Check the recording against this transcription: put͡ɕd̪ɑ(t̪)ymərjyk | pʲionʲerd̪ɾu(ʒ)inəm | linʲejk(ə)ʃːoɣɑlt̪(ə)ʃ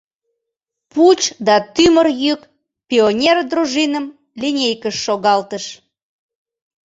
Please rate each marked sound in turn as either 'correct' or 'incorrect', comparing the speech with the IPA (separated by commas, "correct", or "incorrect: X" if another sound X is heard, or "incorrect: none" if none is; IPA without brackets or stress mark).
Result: correct, correct, correct, correct